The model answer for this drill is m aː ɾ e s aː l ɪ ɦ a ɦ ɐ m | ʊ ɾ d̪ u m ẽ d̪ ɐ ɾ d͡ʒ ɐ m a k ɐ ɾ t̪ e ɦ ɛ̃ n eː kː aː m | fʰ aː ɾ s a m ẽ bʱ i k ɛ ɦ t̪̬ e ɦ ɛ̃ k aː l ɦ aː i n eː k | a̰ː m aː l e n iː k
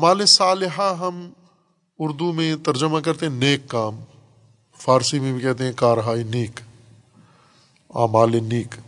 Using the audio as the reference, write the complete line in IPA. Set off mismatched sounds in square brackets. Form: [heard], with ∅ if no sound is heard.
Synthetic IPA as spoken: m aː [l] e s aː l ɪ ɦ a ɦ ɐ m | ʊ ɾ d̪ u m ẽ [t̪] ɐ ɾ d͡ʒ [ə] m a k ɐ ɾ t̪ e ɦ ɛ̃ n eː kː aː m | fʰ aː ɾ s [i] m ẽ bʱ i k ɛ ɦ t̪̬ e ɦ ɛ̃ k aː [ɾ] ɦ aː i n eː k | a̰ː m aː l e n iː k